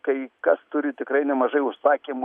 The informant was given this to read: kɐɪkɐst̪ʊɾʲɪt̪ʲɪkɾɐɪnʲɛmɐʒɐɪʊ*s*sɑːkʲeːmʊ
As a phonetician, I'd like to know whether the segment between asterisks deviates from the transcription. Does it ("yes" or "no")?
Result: yes